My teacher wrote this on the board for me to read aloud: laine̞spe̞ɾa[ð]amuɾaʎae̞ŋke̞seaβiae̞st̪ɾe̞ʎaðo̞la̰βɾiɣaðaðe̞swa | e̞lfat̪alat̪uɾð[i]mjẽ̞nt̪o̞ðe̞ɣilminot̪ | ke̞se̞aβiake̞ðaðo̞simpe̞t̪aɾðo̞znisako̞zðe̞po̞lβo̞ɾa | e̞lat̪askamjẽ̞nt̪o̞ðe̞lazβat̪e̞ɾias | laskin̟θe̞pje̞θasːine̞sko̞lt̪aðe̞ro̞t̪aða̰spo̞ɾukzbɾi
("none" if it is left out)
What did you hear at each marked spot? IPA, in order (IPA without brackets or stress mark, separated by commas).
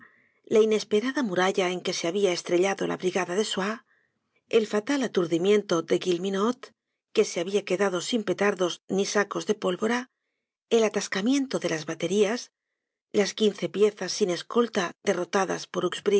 ð, i